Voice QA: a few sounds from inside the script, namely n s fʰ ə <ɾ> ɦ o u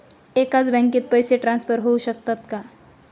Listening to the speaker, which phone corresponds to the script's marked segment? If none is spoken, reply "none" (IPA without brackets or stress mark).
ɾ